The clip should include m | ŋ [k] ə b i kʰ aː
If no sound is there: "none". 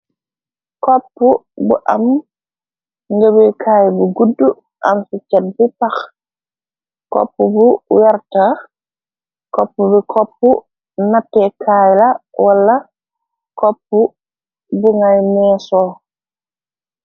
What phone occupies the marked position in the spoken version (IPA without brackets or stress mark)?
ɡ